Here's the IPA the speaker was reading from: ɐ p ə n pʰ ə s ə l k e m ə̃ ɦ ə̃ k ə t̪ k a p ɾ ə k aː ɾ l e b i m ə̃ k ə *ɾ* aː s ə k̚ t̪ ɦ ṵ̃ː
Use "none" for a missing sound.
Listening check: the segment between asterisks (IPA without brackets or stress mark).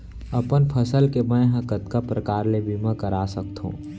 ɾ